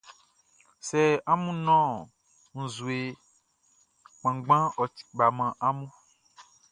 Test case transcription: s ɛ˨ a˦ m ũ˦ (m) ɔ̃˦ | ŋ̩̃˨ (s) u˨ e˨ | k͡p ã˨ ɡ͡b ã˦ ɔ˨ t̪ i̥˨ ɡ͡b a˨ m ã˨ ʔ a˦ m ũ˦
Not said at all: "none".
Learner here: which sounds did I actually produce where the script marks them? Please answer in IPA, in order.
n, z

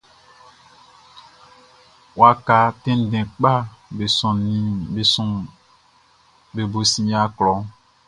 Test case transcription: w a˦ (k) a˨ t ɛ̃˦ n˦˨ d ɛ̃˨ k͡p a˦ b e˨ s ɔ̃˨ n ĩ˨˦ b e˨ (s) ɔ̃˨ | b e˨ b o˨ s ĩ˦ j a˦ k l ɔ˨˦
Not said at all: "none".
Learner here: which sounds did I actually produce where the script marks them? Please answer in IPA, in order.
k, s

